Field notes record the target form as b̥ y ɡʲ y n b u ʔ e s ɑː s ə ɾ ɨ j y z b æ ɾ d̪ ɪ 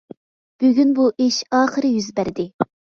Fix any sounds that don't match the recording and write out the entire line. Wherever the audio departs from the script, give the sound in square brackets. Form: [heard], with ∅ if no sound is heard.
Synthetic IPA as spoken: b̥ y ɡʲ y n b u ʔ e [ʃ] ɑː [χ] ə ɾ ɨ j y z b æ ɾ d̪ ɪ